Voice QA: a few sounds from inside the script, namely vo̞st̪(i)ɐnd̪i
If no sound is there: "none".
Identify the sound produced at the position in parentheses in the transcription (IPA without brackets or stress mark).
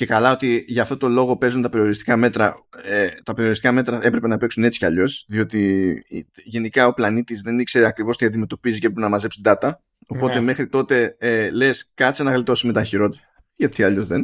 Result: i